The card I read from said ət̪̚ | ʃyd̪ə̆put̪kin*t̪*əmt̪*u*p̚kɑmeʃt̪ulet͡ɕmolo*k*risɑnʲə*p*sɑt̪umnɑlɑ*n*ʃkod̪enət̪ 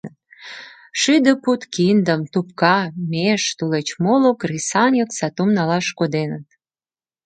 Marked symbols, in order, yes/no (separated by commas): no, yes, yes, no, no